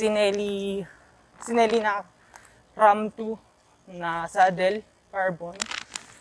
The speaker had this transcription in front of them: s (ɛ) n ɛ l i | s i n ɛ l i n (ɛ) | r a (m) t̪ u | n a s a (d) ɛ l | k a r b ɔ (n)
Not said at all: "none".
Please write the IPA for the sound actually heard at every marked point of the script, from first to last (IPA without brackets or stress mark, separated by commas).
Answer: i, a, m, d, n